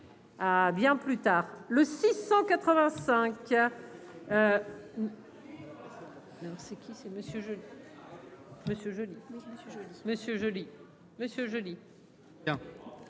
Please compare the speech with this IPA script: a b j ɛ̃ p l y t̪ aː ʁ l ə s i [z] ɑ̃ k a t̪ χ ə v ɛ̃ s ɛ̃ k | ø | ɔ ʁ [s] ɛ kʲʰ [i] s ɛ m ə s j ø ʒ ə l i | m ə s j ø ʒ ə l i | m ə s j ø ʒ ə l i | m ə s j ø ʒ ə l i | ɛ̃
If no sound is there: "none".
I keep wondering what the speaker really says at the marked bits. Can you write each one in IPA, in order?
s, s, i

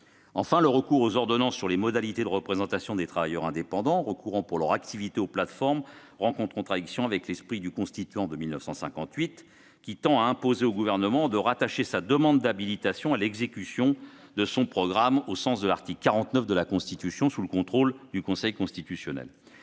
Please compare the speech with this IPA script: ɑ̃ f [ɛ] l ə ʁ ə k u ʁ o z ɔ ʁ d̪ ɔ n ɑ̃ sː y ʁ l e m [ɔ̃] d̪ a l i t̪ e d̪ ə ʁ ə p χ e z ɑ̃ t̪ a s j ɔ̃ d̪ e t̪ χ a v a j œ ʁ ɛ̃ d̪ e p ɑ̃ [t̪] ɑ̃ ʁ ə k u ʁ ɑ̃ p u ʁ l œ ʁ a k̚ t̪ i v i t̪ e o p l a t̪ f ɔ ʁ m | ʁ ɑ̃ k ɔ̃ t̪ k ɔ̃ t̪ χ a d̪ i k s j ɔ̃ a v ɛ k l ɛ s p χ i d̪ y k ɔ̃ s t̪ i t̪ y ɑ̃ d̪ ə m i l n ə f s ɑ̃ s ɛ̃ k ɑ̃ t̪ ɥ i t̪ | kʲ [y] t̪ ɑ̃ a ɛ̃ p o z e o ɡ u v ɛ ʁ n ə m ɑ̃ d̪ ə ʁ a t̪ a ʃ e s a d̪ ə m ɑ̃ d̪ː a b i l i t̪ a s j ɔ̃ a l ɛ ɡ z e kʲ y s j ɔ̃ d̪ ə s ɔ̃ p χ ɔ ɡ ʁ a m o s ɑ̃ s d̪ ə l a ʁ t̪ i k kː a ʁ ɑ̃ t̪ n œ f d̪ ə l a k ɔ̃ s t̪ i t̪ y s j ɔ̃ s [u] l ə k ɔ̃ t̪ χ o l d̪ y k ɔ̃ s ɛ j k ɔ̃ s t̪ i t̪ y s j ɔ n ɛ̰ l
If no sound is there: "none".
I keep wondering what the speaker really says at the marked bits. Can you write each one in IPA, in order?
ɛ̃, ɔ, d̪, i, u

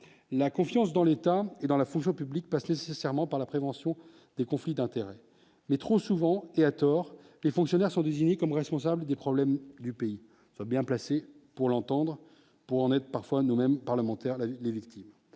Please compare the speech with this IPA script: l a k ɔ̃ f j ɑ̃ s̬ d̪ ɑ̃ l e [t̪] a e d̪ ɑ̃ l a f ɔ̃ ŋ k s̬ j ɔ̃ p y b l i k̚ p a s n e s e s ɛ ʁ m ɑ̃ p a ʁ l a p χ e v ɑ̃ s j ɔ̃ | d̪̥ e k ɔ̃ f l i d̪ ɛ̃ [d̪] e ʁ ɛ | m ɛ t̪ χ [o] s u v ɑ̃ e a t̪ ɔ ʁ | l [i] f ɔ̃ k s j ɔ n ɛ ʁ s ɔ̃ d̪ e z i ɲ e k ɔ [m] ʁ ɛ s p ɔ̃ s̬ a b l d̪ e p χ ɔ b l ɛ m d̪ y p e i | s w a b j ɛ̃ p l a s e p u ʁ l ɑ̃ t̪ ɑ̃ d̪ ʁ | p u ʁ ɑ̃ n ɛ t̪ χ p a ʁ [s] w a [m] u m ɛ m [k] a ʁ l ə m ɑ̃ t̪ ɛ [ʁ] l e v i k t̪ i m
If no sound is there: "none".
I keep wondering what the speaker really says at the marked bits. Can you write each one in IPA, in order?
t̪, t̪, o, e, m, f, n, p, ʁ

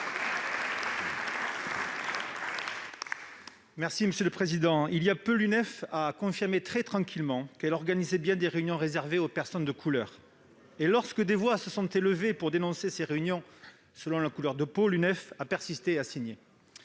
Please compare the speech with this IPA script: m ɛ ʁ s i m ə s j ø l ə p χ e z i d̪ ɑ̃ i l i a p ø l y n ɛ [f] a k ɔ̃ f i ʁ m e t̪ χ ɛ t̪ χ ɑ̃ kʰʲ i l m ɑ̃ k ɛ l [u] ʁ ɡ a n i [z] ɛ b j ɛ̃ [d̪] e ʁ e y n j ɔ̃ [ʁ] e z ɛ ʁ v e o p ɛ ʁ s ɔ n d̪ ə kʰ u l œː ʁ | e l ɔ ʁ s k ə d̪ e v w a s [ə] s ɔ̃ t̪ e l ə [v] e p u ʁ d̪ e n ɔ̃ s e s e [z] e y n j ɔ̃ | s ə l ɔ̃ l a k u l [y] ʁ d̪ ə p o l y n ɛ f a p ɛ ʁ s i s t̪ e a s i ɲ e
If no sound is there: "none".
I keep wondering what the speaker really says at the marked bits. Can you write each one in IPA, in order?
f, ɔ, z, d̪, ʁ, ə, v, ʁ, œ

